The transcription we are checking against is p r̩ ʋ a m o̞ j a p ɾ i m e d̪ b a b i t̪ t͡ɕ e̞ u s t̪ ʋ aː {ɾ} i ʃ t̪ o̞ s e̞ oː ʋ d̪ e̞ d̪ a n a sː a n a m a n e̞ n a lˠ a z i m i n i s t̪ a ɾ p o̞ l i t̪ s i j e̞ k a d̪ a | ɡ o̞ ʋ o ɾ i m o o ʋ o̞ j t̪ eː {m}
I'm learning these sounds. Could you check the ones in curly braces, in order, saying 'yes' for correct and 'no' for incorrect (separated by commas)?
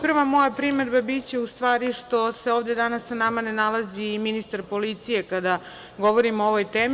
yes, yes